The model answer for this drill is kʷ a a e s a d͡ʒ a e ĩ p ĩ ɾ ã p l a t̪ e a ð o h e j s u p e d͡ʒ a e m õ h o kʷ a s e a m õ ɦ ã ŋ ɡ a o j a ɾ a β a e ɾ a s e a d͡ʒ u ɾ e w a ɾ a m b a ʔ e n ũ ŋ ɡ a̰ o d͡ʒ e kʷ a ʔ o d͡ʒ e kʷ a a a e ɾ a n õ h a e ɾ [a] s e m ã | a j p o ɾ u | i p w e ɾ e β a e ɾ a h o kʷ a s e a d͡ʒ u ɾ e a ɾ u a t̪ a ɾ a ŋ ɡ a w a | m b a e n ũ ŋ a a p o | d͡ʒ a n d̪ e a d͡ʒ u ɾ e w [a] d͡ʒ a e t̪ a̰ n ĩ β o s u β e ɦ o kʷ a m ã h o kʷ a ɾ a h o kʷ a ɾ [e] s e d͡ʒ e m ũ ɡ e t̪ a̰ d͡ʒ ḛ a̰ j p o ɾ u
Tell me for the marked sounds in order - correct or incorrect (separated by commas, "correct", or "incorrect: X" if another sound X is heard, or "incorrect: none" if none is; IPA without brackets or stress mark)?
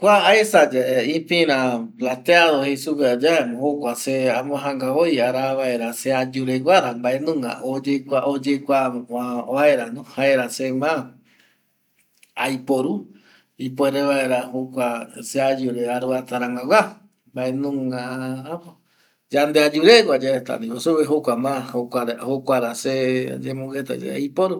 correct, correct, incorrect: a